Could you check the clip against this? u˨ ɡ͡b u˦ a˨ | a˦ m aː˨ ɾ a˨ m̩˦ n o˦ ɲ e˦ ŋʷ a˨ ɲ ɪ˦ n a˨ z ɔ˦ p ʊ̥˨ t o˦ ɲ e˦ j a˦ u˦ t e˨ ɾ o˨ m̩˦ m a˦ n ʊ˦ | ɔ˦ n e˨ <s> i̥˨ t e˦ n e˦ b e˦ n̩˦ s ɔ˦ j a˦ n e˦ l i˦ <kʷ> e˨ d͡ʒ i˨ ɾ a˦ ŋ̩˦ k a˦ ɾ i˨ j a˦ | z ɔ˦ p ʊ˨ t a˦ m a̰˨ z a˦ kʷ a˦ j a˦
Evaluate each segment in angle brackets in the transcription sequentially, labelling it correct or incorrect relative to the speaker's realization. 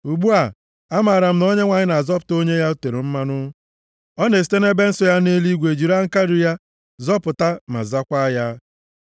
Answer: correct, incorrect

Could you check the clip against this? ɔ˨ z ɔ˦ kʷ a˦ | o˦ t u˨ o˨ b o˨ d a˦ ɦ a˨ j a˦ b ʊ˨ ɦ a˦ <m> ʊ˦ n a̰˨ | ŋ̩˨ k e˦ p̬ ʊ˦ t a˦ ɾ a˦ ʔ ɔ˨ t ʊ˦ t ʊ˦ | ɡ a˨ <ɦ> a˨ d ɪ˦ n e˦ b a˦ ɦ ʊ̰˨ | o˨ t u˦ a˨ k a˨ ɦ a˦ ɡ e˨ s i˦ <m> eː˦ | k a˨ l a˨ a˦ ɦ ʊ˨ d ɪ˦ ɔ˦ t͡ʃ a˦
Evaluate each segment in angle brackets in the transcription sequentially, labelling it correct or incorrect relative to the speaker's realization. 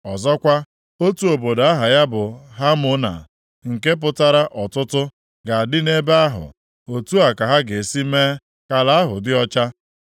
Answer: correct, incorrect, correct

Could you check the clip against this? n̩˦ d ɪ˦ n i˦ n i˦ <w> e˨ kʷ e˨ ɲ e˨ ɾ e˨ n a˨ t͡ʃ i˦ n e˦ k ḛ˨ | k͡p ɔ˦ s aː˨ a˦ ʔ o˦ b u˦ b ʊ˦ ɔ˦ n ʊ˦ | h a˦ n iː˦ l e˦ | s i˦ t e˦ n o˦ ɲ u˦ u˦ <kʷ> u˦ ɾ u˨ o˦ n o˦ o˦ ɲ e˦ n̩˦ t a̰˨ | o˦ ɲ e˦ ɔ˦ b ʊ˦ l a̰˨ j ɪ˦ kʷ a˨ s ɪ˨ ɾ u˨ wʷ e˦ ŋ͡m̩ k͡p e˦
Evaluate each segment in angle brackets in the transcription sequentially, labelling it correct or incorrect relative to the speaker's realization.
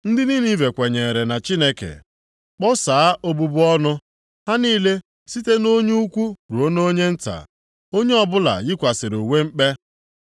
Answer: incorrect, correct

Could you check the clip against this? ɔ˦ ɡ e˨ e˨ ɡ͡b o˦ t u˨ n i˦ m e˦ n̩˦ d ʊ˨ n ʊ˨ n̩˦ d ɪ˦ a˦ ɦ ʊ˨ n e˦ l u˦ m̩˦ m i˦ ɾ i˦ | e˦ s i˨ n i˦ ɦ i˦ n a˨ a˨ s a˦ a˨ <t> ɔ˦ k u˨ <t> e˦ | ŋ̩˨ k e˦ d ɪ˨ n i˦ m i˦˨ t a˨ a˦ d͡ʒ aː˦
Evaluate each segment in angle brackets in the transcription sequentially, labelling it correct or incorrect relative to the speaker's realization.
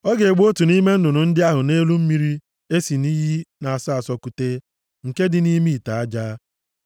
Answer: incorrect, correct

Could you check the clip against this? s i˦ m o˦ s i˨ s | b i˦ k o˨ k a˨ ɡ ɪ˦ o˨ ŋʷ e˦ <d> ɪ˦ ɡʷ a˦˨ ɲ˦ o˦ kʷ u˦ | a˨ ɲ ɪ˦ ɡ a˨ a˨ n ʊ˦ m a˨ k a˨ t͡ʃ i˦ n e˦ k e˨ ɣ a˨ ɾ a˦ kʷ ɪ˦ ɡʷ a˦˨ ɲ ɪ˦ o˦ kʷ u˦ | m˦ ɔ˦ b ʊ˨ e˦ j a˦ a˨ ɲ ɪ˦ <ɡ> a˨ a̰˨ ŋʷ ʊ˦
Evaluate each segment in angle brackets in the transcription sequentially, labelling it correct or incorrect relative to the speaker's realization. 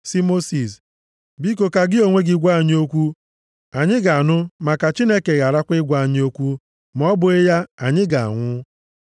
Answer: incorrect, correct

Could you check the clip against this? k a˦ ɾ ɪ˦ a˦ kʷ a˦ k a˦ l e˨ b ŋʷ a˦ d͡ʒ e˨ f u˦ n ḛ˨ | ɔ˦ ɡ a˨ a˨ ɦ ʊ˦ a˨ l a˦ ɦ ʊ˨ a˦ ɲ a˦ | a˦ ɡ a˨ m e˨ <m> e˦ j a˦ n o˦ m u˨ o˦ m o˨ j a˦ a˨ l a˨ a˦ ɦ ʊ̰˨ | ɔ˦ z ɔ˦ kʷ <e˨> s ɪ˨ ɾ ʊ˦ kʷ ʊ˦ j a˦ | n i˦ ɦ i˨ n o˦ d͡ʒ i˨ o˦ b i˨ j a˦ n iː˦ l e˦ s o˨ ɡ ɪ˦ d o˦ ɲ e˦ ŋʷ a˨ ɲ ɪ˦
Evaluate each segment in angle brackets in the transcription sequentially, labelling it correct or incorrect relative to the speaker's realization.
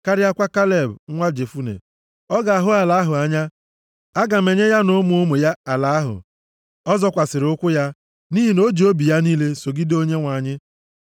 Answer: incorrect, incorrect

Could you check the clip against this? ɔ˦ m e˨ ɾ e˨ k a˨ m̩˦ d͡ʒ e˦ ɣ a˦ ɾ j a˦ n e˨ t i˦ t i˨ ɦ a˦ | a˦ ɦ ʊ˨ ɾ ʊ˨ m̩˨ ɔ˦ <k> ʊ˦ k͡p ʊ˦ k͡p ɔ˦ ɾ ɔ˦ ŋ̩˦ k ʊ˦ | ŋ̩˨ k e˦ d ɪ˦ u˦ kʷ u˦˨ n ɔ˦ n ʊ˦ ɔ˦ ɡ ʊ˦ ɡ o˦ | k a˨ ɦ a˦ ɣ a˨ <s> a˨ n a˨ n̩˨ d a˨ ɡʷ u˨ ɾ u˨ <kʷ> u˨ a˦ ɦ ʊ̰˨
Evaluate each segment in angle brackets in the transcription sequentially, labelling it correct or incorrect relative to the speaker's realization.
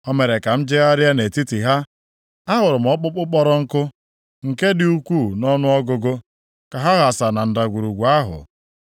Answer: incorrect, correct, incorrect

